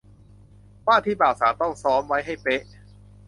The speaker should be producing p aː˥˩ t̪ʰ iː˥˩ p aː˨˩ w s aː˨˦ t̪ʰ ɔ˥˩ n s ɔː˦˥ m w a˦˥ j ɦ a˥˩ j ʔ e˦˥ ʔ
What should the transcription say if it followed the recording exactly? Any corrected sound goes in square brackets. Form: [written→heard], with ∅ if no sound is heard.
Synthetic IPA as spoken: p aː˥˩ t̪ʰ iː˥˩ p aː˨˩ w s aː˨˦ [t̪ʰ→t̪] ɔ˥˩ [n→ŋ] s ɔː˦˥ m w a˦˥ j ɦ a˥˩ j [ʔ→p] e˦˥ ʔ